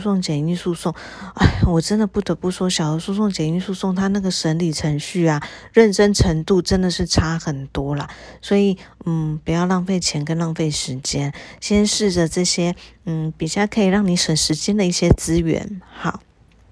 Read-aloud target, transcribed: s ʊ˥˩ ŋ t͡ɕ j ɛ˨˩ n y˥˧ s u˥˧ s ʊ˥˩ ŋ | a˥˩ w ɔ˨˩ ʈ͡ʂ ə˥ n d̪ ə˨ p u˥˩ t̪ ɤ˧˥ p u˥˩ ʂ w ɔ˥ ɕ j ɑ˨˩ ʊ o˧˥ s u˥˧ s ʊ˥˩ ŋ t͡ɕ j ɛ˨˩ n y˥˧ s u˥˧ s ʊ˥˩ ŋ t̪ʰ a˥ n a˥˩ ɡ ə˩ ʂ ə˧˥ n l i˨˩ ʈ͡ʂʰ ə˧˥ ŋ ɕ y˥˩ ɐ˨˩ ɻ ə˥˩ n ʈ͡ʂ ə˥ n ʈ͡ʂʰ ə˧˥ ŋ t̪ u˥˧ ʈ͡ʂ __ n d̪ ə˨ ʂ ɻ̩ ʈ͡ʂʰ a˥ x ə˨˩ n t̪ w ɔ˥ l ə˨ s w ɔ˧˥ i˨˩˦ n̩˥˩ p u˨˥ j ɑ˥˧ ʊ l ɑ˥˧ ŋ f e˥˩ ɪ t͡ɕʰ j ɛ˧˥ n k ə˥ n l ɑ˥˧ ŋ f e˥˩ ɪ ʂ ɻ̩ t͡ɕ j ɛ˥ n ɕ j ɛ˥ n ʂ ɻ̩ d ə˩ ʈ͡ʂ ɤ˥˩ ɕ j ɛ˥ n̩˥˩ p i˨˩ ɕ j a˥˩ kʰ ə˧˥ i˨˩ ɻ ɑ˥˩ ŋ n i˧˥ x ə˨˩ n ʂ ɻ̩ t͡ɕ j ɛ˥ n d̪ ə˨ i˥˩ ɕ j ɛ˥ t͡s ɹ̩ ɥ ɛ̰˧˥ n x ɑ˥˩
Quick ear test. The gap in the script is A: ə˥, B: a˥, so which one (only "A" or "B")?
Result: A